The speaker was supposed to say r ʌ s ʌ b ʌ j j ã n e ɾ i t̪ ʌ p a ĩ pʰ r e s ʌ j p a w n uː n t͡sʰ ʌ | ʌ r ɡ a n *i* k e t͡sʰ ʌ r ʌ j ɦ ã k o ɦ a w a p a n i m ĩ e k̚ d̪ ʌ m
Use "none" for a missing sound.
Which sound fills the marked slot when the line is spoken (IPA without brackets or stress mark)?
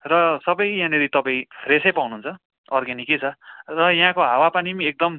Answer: i